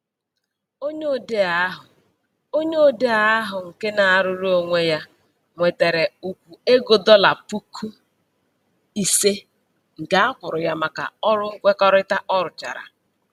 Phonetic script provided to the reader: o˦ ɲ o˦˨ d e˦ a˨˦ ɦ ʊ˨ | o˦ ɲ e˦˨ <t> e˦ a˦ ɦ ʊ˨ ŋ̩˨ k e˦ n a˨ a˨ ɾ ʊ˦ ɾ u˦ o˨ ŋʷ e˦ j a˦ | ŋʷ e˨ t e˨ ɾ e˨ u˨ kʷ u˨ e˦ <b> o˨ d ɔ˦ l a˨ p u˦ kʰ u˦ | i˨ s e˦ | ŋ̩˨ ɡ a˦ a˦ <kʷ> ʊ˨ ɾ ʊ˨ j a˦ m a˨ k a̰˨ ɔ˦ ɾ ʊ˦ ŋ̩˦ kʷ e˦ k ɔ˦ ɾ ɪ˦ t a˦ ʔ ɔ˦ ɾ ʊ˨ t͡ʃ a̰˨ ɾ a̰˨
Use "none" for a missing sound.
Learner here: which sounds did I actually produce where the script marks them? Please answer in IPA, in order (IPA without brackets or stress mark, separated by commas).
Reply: d, ɡ, kʷ